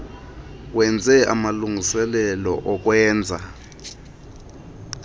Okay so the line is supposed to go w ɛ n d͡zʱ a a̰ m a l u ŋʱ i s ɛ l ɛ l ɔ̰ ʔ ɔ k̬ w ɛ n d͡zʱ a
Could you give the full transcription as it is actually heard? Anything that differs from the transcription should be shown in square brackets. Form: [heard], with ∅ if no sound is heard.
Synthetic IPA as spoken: w ɛ n d͡zʱ [ɛ] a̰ m a l u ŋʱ i s ɛ l ɛ l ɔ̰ ʔ ɔ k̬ w [ɛː] n d͡zʱ a